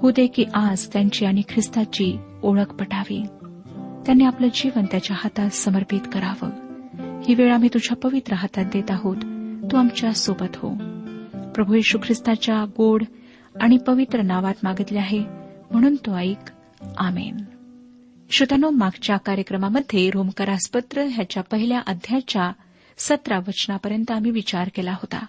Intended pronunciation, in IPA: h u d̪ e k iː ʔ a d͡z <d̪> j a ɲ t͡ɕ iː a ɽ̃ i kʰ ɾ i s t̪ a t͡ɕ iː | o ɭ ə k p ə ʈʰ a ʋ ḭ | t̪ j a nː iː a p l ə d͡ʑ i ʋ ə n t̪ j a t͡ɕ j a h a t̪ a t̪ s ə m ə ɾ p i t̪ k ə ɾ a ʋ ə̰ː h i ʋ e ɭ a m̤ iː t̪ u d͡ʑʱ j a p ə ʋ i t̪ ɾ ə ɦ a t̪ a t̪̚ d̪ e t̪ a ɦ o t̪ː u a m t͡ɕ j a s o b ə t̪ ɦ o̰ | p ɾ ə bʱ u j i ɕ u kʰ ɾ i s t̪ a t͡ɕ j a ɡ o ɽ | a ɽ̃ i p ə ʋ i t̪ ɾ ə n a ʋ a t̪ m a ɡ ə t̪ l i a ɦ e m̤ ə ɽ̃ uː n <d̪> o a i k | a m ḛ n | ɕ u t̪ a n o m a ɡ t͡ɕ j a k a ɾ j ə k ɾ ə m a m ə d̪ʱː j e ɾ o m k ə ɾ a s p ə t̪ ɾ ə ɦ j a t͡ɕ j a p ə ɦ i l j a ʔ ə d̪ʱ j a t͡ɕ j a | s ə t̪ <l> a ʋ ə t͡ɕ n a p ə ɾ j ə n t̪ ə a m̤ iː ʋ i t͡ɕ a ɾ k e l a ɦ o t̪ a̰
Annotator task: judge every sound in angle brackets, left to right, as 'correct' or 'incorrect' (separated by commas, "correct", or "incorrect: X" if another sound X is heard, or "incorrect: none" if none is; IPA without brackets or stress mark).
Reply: incorrect: t̪, incorrect: t̪, incorrect: ɾ